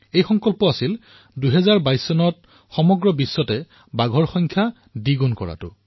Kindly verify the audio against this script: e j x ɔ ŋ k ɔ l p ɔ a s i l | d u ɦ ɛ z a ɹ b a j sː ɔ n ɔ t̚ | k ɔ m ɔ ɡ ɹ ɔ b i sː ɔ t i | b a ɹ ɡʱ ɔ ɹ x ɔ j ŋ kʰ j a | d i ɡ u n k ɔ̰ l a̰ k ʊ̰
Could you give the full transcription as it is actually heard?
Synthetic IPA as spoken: e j x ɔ ŋ k ɔ l p ɔ a s i l | d u ɦ ɛ z a ɹ b a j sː ɔ n ɔ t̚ | x ɔ m ɔ ɡ ɹ ɔ b i sː ɔ t ɛ | b a ɡʱ ɔ ɹ x ɔ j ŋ kʰ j a | d i ɡ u n k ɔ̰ ɹ a̰ t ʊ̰